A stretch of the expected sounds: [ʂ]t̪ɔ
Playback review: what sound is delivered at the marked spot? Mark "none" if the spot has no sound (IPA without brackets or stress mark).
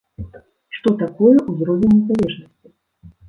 ʂ